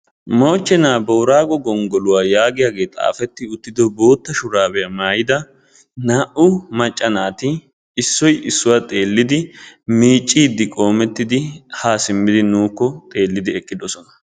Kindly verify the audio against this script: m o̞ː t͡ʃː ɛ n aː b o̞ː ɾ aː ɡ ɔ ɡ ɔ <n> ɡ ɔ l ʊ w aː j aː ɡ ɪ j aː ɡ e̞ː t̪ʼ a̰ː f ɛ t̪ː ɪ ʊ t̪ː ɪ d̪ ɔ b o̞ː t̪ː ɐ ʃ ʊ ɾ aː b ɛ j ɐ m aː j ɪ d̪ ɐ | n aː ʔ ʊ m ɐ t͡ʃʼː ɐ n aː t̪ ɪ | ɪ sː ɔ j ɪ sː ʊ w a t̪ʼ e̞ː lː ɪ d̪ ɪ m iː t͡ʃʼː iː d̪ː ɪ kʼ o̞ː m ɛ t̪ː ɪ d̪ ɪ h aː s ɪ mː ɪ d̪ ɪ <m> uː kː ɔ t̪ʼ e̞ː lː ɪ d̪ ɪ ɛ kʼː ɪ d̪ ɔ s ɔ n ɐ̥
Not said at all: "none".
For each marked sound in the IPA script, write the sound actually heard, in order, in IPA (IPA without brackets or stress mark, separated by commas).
ŋ, n